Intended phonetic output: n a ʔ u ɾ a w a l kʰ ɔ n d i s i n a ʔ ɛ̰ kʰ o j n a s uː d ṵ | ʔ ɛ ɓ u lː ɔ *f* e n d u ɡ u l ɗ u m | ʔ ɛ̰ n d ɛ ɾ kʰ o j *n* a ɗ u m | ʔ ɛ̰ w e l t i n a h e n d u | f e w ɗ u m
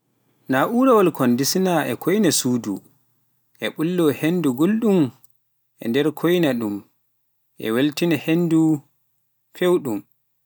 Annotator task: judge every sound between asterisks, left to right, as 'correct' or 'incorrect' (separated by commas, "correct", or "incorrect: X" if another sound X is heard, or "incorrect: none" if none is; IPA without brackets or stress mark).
incorrect: h, correct